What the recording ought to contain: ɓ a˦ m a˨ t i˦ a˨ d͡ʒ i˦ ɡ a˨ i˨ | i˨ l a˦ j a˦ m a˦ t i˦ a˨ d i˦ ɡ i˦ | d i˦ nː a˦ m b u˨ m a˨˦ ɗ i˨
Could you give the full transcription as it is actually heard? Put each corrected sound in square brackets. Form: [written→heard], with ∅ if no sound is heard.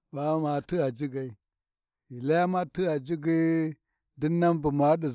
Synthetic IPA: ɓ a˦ m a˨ t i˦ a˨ d͡ʒ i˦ ɡ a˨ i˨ | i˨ l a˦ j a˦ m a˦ t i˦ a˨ [d→d͡ʒ] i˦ ɡ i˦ | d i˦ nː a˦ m b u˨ m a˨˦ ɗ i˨